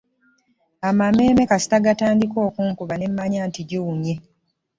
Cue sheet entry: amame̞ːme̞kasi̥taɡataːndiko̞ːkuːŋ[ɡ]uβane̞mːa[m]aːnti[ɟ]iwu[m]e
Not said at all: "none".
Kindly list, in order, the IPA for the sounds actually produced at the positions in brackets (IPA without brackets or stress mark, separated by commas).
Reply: k, ɲ, ɟ, ɲ